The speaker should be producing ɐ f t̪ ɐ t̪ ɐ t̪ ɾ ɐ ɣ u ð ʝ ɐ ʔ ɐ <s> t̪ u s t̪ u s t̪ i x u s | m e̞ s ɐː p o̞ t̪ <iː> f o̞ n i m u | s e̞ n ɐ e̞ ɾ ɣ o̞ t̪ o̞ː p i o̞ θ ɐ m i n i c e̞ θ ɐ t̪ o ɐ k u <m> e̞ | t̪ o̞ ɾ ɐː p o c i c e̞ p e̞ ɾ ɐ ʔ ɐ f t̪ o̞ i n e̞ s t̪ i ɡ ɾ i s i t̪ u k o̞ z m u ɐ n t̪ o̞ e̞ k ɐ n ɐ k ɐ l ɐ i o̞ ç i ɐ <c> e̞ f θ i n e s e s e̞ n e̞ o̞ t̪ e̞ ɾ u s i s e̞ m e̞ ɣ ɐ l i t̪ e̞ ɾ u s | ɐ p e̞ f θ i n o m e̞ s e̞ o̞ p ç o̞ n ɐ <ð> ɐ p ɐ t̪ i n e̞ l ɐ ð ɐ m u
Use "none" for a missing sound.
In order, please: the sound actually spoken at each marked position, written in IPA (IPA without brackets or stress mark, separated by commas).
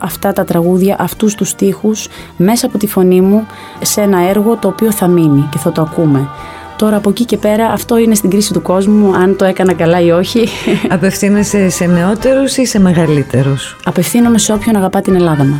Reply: f, i, m, p, ɣ